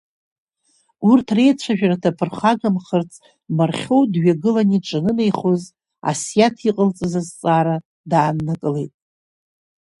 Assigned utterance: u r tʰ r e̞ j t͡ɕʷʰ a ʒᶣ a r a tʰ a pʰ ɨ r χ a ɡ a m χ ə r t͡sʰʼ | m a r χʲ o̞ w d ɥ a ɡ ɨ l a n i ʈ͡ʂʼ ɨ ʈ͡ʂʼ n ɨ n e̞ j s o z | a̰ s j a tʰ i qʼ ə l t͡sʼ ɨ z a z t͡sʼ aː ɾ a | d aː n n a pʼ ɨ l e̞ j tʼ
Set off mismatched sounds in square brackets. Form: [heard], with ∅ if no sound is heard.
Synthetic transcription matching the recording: u r tʰ r e̞ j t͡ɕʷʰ a ʒᶣ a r a tʰ a pʰ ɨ r χ a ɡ a m χ ə r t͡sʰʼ | m a r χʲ o̞ w d ɥ a ɡ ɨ l a n i ʈ͡ʂʼ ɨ [∅] n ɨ n e̞ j [χ] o z | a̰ s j a tʰ i qʼ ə l t͡sʼ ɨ z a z t͡sʼ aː ɾ a | d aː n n a [kʼ] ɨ l e̞ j tʼ